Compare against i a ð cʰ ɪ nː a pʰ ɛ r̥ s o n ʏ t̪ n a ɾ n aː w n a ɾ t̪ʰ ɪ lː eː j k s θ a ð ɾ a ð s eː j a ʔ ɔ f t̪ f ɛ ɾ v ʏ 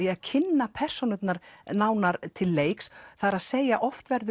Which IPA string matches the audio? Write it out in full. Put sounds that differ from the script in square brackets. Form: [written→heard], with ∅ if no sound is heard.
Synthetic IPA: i a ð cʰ ɪ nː a pʰ ɛ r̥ s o n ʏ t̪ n a ɾ n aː w n a ɾ t̪ʰ ɪ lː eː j k s θ a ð ɾ a ð s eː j a ʔ ɔ f t̪ [f→v] ɛ ɾ [v→ð] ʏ

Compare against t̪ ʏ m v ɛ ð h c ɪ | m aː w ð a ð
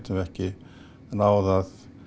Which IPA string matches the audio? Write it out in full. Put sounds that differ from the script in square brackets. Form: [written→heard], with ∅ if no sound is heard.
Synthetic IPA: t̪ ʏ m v ɛ [ð→∅] h c ɪ | [m→n] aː w ð a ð

